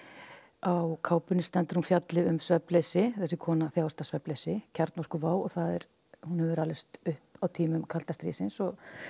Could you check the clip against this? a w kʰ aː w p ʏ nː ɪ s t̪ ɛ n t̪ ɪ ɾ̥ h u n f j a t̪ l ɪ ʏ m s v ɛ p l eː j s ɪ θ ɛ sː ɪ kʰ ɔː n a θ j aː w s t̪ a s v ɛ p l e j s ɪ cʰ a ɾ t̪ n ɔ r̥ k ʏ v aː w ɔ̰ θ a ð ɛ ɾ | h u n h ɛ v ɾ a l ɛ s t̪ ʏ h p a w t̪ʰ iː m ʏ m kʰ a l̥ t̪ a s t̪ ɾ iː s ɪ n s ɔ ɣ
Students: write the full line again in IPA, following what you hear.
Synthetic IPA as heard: a w kʰ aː w p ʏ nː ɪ s t̪ ɛ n t̪ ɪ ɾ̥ h u n f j a t̪ l ɪ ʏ m s v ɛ p l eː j s ɪ θ ɛ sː ɪ kʰ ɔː n a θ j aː w s t̪ a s v ɛ p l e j s ɪ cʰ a ɾ t̪ n ɔ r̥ k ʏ v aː w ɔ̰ θ a ð ɛ ɾ | h u n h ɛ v ɾ a l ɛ s t̪ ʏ h p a w t̪ʰ iː m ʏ m kʰ a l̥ t̪ a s t̪ ɾ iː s ɪ n s ɔ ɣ